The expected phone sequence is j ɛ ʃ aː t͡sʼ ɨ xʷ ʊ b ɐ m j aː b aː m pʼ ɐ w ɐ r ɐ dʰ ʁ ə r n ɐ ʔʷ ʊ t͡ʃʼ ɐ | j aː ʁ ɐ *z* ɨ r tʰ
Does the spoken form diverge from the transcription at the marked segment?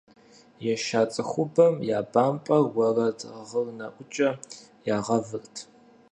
yes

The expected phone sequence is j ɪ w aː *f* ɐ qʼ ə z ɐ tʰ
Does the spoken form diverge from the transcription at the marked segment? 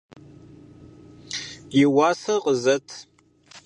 yes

